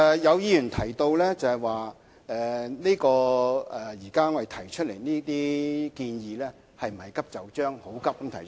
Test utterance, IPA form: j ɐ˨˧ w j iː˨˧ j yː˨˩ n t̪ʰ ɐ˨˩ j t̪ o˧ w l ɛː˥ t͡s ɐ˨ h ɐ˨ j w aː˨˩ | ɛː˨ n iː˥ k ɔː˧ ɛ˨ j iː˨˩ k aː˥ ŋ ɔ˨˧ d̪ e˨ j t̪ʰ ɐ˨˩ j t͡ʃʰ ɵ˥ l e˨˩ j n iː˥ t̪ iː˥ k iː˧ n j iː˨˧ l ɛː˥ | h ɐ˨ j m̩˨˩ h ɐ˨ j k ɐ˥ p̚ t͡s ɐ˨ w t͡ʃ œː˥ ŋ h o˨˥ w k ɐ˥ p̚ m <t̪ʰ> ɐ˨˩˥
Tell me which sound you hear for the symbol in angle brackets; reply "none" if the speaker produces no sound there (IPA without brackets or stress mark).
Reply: t̪ʰ